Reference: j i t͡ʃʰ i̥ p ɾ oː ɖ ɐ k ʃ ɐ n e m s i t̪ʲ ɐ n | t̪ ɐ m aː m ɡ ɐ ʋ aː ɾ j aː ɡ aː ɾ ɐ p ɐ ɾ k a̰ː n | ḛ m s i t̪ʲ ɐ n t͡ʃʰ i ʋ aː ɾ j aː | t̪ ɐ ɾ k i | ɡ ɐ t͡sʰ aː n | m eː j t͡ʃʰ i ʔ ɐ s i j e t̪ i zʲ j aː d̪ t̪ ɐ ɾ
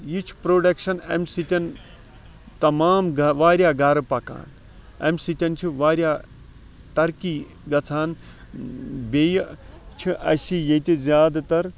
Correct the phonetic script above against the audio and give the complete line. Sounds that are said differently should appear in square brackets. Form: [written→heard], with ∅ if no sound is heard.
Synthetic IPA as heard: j i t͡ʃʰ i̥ p ɾ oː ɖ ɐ k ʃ ɐ n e m s i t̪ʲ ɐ n | t̪ ɐ m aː m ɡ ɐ ʋ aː ɾ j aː ɡ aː ɾ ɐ p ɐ [ɾ→∅] k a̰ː n | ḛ m s i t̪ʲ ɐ n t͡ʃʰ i ʋ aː ɾ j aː | t̪ ɐ ɾ k i | ɡ ɐ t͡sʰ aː n | [m→b] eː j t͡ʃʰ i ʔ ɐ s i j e t̪ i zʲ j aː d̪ t̪ ɐ ɾ